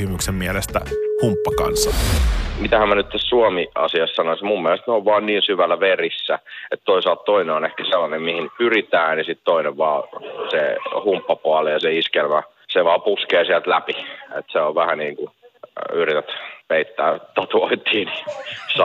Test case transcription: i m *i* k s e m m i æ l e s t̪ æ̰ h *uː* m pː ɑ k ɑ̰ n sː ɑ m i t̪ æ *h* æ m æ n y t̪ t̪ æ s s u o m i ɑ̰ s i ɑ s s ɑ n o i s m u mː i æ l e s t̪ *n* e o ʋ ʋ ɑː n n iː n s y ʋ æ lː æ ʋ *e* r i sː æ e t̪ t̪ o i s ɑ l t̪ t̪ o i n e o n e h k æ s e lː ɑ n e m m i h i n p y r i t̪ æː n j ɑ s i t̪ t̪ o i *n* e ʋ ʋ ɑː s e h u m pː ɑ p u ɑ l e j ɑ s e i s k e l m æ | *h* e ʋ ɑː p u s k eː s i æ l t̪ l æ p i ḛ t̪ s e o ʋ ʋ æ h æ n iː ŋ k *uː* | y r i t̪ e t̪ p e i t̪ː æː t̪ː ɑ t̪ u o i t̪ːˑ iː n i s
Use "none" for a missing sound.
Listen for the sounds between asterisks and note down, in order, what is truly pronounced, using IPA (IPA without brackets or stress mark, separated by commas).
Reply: y, u, h, n, e, n, s, u